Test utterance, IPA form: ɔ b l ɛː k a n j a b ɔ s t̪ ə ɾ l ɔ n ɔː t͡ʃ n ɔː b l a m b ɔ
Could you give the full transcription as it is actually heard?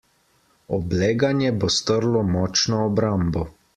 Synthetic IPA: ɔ b l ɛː ɡ a n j ɛ b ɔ s t̪ ə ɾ l ɔ m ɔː t͡ʃ n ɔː b ɾ a m b ɔ